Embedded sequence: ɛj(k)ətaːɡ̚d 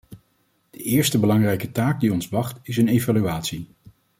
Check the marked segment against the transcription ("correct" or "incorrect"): correct